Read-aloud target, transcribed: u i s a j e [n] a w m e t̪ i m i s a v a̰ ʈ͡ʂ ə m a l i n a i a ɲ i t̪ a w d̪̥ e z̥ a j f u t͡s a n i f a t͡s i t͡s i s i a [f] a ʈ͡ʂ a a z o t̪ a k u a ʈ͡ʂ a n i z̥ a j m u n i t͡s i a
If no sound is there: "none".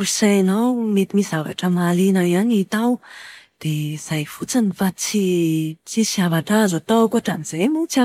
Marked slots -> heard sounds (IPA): n, v

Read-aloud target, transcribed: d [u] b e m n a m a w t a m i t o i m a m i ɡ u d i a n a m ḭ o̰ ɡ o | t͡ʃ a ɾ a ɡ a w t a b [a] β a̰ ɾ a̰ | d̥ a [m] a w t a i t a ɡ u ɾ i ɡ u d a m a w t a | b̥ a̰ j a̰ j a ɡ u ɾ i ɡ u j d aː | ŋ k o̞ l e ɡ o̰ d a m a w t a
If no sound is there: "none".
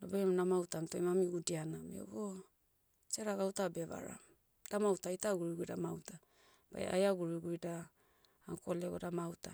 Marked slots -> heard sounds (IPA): o, e, m

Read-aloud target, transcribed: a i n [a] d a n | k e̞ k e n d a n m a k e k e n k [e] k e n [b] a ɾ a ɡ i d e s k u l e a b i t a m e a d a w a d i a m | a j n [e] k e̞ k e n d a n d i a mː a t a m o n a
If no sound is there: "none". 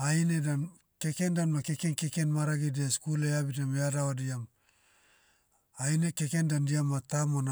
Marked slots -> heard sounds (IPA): e, e, m, e

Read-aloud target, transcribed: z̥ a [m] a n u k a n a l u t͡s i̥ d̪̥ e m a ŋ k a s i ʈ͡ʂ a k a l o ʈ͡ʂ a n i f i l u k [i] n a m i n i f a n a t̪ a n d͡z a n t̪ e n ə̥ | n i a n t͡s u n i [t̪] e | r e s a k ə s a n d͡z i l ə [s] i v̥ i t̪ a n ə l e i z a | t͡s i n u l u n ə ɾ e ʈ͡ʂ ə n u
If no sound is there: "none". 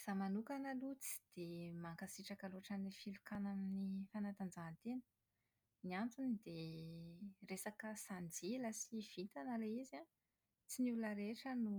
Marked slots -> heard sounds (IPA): m, a, d̪, s

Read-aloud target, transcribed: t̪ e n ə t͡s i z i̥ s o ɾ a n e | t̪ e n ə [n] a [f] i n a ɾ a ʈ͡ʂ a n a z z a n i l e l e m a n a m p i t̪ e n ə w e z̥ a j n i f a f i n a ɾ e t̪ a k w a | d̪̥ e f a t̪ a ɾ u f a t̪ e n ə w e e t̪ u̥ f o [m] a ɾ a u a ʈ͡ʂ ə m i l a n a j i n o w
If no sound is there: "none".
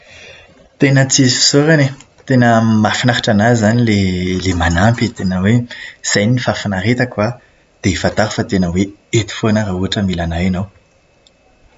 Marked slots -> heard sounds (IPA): m, f, n

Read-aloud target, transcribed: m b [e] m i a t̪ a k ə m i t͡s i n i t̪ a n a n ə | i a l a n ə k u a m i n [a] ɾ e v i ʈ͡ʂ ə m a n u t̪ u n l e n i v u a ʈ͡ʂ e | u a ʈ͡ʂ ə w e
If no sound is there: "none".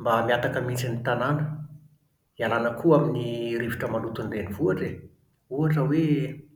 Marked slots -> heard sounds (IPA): a, i

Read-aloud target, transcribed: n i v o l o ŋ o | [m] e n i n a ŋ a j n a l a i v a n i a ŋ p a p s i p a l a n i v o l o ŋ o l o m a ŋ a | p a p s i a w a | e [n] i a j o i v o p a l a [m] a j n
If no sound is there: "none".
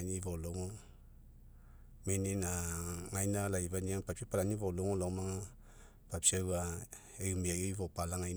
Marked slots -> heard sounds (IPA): m, m, ŋ

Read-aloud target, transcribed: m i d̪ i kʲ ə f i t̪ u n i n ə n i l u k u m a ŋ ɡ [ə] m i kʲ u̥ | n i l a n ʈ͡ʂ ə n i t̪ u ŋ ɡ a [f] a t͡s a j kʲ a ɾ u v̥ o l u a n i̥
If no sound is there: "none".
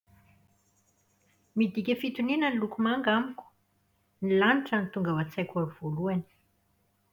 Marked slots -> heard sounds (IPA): a, v

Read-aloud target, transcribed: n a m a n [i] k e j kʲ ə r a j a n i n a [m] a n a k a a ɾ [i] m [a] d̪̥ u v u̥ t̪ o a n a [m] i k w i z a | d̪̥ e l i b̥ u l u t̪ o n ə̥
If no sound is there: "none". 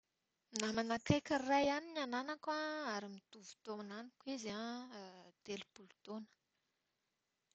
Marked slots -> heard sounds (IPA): a, n, i, i, n

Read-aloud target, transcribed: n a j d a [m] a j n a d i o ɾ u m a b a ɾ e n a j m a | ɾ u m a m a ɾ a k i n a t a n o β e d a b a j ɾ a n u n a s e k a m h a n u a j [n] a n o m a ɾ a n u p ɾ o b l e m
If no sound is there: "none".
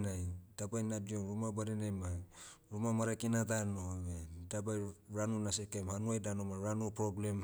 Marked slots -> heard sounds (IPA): b, d

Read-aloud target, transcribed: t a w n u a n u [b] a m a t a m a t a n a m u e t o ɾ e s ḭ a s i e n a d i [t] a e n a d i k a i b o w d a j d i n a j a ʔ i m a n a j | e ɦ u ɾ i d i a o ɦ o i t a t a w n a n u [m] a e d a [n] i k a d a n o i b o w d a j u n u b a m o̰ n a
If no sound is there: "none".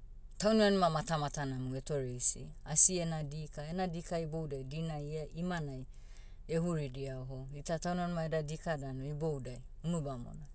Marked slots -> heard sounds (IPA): m, k, m, d

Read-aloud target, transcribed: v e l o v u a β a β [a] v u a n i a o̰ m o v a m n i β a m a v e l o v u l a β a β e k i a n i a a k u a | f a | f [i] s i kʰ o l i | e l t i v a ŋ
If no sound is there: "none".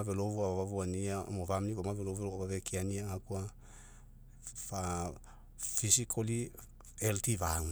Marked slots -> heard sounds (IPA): a, i

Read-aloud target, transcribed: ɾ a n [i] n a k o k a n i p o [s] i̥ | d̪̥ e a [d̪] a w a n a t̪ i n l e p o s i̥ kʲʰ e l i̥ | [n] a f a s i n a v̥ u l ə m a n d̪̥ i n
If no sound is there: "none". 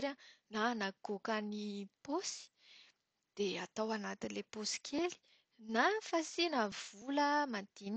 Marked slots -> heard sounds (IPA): a, s, t̪, n

